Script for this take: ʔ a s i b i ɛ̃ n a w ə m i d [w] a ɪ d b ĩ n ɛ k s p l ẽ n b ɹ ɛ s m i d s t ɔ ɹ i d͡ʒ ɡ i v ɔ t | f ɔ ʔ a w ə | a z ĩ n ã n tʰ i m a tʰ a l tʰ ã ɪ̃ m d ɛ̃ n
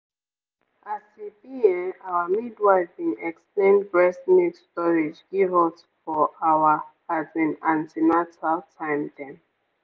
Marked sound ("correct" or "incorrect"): correct